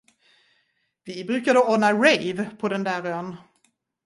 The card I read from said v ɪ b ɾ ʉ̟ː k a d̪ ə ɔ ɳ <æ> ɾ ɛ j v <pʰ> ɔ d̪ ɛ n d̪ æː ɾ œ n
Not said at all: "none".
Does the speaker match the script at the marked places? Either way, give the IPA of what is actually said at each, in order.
a, pʰ

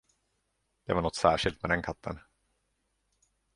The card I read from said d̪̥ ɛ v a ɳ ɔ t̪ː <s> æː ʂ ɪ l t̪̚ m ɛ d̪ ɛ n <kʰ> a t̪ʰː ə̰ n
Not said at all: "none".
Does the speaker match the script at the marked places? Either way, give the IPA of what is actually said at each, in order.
s, kʰ

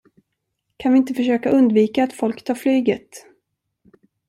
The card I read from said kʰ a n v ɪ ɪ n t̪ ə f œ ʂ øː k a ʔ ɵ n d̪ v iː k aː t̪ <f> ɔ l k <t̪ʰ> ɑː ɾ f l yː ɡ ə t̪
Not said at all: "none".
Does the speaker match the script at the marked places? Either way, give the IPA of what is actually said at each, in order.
f, t̪ʰ

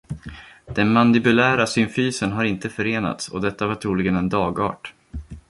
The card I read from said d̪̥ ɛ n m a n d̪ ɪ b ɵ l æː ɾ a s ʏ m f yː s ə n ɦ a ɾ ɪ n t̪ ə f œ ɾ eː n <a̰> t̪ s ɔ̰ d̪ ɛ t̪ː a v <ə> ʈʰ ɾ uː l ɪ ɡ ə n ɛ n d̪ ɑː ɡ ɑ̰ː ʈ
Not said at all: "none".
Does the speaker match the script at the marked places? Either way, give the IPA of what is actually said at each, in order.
a̰, a

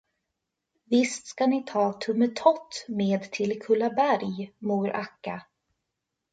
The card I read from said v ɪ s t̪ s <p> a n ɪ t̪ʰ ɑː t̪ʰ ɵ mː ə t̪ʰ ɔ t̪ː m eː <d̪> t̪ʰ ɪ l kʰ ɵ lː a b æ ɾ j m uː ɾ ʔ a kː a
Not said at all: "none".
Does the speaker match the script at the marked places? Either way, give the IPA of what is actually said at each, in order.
k, d̪

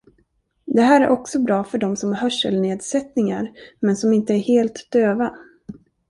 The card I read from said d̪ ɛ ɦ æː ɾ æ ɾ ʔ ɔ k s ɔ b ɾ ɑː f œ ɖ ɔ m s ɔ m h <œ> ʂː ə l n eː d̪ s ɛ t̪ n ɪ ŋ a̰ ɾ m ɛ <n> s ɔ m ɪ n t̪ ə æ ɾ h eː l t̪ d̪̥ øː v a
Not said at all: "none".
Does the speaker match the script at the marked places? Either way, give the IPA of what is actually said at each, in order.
œ, n

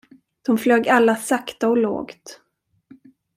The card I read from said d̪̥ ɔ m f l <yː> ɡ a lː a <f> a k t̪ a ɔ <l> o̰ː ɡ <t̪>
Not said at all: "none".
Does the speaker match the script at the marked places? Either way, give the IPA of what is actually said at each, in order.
øː, s, l, t̪

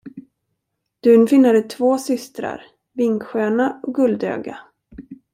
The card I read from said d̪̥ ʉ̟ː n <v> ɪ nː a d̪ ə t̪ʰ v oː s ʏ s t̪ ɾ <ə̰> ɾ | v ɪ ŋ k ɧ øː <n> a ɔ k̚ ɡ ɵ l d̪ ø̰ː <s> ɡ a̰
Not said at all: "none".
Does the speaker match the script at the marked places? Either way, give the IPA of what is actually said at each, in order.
f, a̰, n, none

